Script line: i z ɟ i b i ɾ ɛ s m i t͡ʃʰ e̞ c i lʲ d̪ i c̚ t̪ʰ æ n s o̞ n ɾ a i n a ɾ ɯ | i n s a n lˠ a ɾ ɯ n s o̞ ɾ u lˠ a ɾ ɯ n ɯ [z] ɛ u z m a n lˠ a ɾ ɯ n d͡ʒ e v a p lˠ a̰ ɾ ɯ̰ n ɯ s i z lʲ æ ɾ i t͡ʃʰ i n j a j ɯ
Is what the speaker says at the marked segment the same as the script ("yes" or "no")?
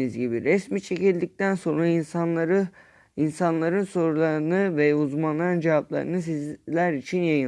no